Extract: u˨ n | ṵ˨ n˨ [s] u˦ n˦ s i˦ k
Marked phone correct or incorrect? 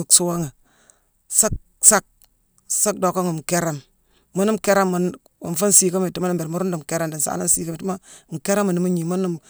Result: incorrect